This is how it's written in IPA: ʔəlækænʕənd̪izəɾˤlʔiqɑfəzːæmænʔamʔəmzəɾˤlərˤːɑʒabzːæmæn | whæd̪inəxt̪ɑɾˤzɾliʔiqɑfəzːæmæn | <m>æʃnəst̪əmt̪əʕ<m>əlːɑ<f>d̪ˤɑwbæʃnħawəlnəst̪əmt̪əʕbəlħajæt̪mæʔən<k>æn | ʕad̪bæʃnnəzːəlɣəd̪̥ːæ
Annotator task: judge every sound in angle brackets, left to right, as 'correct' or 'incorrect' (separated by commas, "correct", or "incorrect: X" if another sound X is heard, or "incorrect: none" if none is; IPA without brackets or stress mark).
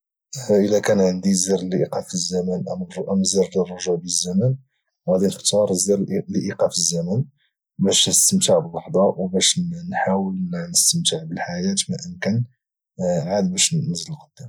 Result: incorrect: b, incorrect: b, incorrect: ħ, correct